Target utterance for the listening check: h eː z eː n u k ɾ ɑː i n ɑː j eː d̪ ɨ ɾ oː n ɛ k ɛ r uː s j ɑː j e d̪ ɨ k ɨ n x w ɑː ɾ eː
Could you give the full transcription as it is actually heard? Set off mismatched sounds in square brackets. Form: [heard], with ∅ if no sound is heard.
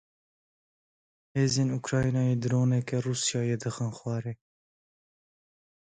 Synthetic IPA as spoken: h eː z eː n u k ɾ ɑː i n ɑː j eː d̪ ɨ ɾ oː n ɛ k ɛ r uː s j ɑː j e d̪ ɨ [x] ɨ n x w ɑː ɾ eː